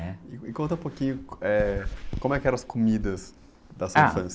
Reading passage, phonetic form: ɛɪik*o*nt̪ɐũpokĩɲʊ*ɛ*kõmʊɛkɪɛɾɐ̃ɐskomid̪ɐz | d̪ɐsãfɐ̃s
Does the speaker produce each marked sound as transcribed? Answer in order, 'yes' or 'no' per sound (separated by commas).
no, yes